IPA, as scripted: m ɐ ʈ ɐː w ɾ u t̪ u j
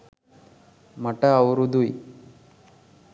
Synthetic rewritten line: m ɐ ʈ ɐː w ɾ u d̪ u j

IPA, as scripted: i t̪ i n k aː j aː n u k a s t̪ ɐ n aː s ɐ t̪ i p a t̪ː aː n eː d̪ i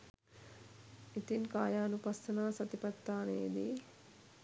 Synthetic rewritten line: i t̪ i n k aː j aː n u p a s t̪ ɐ n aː s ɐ t̪ i p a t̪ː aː n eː d̪ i

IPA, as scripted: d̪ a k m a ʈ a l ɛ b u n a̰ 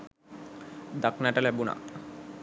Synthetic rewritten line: d̪ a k n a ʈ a l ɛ b u n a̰

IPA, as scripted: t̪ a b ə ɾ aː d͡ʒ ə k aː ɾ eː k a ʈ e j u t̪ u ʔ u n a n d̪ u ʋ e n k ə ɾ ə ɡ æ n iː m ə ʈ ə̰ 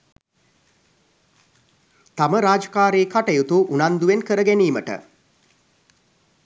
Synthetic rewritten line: t̪ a m ə ɾ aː d͡ʒ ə k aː ɾ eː k a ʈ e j u t̪ u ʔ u n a n d̪ u ʋ e n k ə ɾ ə ɡ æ n iː m ə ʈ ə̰

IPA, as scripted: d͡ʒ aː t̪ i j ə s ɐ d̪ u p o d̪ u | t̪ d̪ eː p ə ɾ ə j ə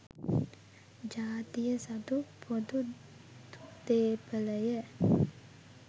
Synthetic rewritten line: d͡ʒ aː t̪ i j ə s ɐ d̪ u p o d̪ u | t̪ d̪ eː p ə l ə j ə

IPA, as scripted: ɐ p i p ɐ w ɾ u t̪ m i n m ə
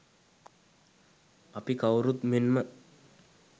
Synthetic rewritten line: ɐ p i k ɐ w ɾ u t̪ m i n m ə

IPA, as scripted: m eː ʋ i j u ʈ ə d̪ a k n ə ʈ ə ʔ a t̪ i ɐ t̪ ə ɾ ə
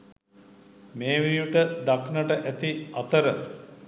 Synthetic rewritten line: m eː ʋ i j u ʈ ə d̪ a k n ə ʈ ə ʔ æ t̪ i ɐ t̪ ə ɾ ə

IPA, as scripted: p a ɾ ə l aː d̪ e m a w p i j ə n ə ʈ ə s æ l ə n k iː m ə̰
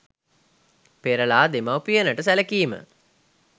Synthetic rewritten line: p e ɾ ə l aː d̪ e m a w p i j ə n ə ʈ ə s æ l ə k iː m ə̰

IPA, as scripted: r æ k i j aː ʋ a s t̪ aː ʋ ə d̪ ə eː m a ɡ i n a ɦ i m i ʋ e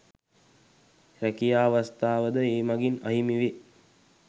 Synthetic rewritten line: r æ k i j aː ʋ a s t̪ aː ʋ ə d̪ ə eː m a ɡ i n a ɦ i m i ʋ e

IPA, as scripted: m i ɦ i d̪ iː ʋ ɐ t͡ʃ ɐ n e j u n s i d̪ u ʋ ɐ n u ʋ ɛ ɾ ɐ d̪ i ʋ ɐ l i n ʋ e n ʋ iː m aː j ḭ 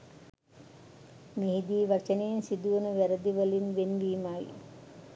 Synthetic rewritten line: m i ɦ i d̪ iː ʋ ɐ t͡ʃ ɐ n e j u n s i d̪ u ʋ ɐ n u ʋ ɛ ɾ ɐ d̪ i ʋ ɐ l i n ʋ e n ʋ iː m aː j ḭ

